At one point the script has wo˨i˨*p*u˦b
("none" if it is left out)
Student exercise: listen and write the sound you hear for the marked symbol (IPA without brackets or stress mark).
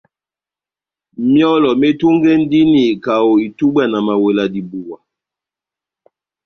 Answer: t